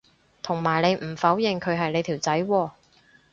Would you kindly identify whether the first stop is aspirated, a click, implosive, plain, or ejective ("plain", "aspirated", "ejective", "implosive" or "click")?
aspirated